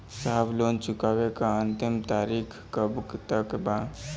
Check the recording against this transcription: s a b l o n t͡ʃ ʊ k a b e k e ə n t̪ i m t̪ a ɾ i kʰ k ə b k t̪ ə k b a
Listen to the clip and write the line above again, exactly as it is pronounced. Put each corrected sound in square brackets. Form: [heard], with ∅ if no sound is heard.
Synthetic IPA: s a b l o n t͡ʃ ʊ k a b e k [a] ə n t̪ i m t̪ a ɾ i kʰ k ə b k t̪ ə k b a